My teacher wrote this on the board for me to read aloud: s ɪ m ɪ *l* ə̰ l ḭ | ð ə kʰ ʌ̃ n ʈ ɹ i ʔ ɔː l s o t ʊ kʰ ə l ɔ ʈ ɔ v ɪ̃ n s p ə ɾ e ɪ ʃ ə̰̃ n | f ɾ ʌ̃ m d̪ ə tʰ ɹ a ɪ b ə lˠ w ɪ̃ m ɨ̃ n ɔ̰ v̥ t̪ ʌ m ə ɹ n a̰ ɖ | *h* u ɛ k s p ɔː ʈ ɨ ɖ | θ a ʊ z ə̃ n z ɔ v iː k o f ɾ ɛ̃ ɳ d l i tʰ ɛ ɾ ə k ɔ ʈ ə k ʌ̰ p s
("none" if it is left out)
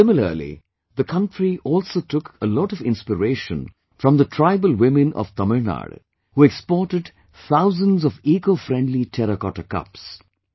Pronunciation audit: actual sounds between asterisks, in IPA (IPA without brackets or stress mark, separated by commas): l, h